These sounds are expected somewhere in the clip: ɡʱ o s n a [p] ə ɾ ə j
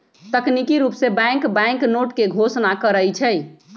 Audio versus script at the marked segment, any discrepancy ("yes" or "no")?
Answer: yes